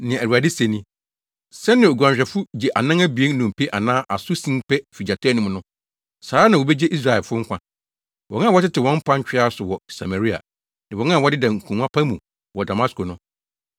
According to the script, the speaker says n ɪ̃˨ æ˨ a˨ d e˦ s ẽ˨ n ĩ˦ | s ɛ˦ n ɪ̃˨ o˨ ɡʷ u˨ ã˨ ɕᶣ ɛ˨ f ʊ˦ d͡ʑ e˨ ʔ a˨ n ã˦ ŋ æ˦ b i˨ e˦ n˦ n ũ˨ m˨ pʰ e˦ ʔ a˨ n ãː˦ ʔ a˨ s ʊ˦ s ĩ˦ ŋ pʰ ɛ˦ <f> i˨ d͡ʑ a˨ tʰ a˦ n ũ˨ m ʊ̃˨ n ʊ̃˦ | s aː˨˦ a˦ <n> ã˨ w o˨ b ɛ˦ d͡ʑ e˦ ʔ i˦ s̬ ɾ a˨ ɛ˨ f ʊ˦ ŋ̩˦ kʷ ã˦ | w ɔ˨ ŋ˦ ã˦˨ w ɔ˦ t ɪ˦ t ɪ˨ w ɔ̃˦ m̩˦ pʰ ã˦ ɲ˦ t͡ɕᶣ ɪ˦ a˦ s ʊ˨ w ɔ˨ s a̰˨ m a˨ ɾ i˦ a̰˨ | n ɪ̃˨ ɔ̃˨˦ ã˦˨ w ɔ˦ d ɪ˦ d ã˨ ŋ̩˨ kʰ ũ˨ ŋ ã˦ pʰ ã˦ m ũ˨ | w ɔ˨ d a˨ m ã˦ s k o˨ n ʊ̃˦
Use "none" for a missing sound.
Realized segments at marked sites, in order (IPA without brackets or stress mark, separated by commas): f, n